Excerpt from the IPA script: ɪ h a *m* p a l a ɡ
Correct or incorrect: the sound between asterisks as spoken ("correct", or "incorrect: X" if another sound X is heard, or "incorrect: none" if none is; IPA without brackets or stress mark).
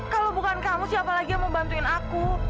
incorrect: none